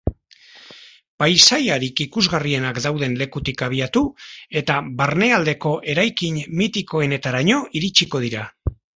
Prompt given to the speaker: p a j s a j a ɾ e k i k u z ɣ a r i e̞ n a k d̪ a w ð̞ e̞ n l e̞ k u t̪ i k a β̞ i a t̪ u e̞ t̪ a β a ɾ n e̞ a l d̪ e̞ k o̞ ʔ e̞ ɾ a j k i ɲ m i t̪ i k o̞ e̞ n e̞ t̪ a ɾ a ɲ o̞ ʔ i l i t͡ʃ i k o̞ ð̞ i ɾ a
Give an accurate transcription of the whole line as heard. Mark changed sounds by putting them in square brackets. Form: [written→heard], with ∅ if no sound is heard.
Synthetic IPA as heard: p a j s a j a ɾ [e→i] k i k u z ɣ a r i e̞ n a k d̪ a w ð̞ e̞ n l e̞ k u t̪ i k a β̞ i a t̪ u e̞ t̪ a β a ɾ n e̞ a l d̪ e̞ k o̞ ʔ e̞ ɾ a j k i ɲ m i t̪ i k o̞ e̞ n e̞ t̪ a ɾ a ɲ o̞ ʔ i [l→ɾ] i t͡ʃ i k o̞ ð̞ i ɾ a